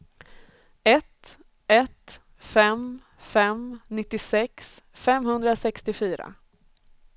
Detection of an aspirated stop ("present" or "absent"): absent